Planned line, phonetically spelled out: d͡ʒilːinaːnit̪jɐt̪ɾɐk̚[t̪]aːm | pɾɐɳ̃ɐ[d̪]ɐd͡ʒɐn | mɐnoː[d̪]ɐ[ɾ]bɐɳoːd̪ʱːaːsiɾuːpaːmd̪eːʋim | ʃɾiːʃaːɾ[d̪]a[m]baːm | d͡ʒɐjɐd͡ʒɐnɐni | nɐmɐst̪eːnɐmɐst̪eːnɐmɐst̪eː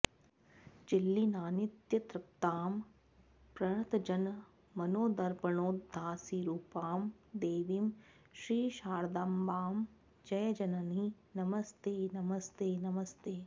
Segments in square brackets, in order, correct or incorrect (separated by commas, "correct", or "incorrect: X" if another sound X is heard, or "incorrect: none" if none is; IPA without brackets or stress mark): correct, incorrect: t̪, correct, correct, correct, correct